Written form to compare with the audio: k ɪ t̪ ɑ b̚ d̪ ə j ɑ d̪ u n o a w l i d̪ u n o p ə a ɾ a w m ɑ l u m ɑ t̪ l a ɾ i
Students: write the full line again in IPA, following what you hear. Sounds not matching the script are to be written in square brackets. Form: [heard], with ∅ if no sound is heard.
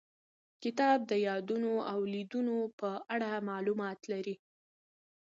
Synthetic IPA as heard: k ɪ t̪ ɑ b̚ d̪ ə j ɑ d̪ u n o a w l i d̪ u n o p ə a [ɽ] a [∅] m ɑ l u m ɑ t̪ l a ɾ i